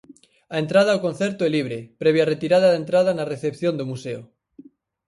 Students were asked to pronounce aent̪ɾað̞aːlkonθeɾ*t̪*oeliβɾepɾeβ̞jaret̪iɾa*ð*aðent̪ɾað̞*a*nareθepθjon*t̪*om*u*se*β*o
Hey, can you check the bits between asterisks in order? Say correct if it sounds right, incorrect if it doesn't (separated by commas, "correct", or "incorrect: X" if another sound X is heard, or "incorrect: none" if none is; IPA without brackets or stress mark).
correct, correct, correct, incorrect: d̪, correct, incorrect: none